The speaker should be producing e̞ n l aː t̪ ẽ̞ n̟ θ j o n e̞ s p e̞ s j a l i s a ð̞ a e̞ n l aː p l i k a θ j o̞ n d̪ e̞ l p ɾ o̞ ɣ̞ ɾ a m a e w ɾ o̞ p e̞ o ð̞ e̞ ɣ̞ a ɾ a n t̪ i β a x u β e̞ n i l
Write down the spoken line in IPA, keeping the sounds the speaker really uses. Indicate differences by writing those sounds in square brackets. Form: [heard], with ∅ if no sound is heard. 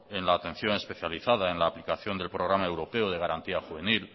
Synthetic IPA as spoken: e̞ n l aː t̪ [e̞] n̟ θ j o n e̞ s p e̞ [θ] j a l i [θ] a ð̞ a e̞ n l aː p l i k a θ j o̞ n d̪ e̞ l p ɾ o̞ ɣ̞ ɾ a m a e w ɾ o̞ p e̞ o ð̞ e̞ ɣ̞ a ɾ a n t̪ i [∅] a x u β e̞ n i l